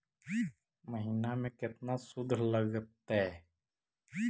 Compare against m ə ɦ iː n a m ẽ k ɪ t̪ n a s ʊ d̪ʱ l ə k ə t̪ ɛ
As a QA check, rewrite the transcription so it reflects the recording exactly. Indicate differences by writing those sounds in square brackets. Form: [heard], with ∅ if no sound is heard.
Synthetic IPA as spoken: m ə ɦ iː n a m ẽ k ɪ t̪ n a s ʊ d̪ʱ l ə [ɡ] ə t̪ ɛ